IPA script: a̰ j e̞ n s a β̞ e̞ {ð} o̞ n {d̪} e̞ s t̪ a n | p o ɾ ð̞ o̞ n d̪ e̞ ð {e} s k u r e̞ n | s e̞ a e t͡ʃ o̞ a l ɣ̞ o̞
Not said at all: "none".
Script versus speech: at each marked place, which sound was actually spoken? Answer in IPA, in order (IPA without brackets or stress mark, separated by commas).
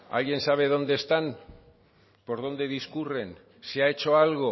ð, d̪, i